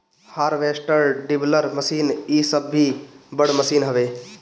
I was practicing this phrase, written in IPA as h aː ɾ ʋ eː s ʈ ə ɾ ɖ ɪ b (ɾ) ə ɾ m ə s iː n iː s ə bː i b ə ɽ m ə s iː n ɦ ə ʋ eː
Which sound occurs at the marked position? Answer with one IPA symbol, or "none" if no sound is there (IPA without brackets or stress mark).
l